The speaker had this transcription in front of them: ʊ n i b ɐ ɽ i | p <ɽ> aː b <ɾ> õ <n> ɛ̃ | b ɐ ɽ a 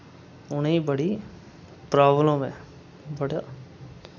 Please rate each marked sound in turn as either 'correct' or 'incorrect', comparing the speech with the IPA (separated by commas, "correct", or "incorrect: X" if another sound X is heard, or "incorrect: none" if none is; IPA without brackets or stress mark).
incorrect: ɾ, incorrect: l, incorrect: m